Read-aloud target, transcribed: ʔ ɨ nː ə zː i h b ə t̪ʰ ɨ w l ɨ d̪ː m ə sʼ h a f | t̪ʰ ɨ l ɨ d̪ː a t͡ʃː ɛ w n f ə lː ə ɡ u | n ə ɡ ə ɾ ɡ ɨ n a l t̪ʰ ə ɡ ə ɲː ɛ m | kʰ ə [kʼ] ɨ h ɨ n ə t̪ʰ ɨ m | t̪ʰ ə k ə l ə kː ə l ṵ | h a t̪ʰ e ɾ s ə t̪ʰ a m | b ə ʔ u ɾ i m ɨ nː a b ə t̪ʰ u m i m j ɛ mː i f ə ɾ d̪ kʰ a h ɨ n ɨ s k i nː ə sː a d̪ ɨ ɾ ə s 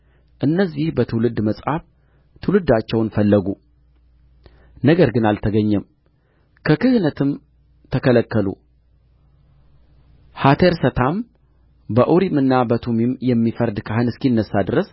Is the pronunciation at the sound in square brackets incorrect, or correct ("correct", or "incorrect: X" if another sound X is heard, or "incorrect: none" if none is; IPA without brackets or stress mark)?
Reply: incorrect: k